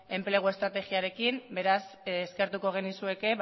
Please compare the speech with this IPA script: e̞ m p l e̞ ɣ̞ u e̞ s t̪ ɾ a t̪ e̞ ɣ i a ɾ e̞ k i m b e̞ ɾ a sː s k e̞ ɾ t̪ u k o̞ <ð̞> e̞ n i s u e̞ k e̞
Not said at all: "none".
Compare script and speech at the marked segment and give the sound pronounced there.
ɣ̞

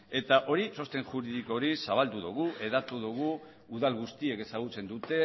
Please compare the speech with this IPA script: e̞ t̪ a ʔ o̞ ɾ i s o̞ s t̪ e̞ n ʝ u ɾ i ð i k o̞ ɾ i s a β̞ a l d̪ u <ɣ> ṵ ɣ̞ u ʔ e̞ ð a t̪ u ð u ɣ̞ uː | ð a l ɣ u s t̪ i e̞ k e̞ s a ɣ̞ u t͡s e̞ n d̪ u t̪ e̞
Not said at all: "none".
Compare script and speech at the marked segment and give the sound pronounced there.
ð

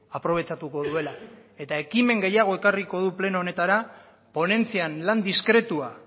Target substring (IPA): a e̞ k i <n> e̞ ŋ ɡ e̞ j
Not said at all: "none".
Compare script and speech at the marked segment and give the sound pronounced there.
m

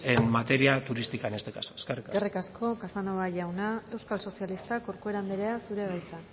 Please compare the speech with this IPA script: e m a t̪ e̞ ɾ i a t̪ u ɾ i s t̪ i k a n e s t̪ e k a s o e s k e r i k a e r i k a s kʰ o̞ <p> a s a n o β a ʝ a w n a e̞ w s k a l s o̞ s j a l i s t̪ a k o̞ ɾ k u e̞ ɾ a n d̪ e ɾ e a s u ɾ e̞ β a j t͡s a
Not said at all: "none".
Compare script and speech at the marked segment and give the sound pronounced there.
k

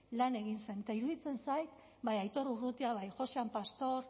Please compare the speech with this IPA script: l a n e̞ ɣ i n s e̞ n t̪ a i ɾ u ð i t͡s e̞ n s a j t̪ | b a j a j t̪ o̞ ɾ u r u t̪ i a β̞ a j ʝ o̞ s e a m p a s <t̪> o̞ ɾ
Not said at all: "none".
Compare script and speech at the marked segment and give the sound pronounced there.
t̪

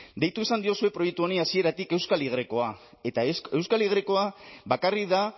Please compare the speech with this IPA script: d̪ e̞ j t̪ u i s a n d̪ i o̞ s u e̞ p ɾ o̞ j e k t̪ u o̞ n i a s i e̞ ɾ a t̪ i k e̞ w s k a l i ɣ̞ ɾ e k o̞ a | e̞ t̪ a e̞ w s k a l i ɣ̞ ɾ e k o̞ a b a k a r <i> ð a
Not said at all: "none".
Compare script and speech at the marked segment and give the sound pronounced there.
i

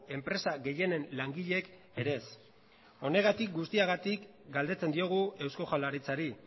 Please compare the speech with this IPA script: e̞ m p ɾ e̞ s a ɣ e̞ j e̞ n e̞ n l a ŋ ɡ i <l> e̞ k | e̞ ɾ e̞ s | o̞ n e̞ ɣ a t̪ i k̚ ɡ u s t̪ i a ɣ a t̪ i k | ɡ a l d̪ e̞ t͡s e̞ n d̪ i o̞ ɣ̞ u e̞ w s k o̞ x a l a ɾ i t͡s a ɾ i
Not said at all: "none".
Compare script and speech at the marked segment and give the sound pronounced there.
ʎ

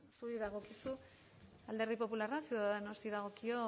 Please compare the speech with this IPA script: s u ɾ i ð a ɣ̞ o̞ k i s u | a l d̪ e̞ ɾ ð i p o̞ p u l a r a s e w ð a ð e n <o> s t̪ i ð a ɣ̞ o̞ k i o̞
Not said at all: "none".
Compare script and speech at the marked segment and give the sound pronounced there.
o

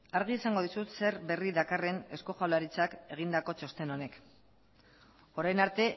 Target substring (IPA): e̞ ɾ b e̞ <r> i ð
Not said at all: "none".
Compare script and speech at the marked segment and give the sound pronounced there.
r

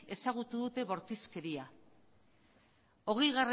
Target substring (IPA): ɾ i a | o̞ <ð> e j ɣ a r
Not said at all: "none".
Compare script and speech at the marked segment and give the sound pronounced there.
ɣ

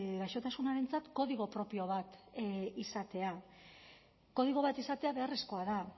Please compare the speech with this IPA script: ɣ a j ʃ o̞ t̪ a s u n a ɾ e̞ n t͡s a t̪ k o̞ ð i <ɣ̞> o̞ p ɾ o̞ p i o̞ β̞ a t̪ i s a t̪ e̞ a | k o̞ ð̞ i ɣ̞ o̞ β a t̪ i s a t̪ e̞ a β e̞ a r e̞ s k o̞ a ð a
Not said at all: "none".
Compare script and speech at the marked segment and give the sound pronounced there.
ɣ̞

